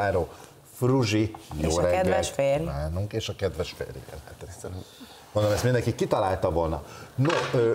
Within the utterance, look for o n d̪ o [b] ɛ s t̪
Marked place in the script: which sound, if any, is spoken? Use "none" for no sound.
m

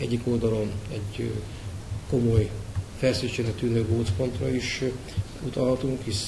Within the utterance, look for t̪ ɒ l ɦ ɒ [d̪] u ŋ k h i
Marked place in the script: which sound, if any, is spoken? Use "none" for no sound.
t̪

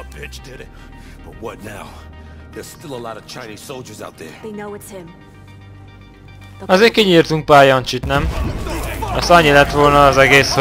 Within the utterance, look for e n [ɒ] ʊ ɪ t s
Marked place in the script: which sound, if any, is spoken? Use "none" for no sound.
o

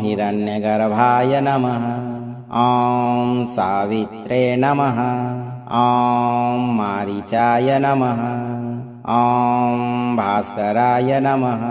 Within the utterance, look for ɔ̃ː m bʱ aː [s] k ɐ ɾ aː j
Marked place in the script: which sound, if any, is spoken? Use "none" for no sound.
s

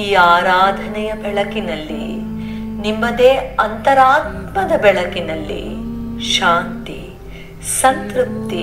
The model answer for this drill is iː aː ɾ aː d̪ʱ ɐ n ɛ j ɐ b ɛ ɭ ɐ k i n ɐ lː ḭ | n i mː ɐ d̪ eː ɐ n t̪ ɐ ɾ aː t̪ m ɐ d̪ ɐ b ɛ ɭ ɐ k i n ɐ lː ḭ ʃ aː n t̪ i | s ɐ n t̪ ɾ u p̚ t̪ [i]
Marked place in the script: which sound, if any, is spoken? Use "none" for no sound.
i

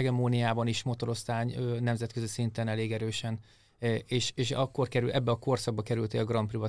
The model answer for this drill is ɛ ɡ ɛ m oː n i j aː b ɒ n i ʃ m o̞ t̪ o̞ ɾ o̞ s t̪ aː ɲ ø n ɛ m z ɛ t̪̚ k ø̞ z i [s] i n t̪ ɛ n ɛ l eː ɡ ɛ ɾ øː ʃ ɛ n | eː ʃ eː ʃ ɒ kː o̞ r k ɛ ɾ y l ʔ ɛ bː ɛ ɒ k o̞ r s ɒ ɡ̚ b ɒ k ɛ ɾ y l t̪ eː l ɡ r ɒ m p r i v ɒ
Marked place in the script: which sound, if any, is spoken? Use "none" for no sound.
s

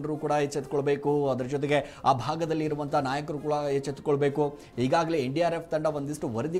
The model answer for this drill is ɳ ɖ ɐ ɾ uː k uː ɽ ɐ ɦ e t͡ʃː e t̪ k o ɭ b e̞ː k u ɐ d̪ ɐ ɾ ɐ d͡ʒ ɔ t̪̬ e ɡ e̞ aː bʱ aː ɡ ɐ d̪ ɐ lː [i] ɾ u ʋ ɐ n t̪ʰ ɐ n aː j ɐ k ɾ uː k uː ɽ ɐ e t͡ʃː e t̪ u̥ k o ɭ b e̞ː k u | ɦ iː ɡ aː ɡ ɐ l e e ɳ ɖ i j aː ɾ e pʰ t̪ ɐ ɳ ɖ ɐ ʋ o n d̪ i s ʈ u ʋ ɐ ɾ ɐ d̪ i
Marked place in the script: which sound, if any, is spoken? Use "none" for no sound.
iː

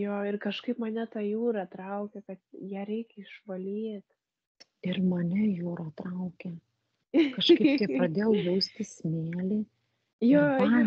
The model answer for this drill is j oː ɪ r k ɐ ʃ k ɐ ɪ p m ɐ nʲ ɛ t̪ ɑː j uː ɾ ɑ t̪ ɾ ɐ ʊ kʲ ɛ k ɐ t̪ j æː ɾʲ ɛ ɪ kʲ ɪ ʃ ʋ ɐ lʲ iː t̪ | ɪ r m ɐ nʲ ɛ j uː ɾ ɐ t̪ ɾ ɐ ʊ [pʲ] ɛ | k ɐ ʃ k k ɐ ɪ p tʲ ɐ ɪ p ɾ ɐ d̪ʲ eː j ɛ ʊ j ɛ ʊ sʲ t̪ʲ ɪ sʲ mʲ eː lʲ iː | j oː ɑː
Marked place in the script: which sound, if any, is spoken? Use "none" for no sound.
kʲ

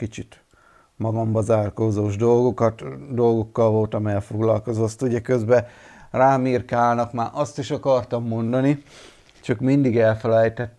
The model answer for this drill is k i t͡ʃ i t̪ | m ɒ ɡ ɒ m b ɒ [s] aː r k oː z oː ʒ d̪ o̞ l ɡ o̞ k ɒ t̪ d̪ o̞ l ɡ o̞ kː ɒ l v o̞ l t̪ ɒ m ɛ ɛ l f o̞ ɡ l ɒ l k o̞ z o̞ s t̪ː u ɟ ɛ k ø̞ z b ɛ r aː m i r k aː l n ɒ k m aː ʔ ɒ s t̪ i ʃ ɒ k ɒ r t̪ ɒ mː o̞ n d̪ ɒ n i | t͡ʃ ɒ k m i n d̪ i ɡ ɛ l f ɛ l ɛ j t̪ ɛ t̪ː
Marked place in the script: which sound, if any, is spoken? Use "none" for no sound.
z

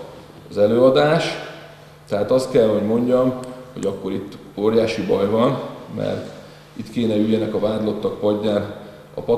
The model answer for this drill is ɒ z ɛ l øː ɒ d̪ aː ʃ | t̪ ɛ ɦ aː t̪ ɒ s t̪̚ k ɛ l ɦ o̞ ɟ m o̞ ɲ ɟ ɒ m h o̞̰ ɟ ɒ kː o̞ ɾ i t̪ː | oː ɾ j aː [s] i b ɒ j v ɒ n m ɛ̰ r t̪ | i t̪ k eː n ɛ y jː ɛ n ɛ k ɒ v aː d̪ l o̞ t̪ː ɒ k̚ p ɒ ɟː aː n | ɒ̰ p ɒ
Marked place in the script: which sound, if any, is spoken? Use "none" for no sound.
ʃ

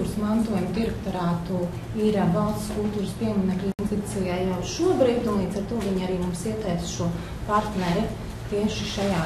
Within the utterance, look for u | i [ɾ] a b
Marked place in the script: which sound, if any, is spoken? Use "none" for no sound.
ɾ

